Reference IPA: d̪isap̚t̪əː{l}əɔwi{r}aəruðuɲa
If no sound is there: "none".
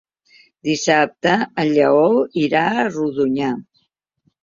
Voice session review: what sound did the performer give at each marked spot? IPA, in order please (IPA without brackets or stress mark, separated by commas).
ʎ, ɾ